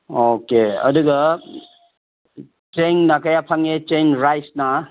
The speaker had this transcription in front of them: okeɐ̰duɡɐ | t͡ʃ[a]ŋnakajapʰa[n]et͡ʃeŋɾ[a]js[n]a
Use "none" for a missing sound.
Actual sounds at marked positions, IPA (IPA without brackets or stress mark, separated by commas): e, ŋ, a, n